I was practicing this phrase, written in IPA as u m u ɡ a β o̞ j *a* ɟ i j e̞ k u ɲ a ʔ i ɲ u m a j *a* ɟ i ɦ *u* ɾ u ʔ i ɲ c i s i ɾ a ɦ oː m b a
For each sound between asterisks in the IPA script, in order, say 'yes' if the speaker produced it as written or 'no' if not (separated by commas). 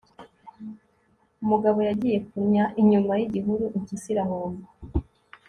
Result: yes, no, yes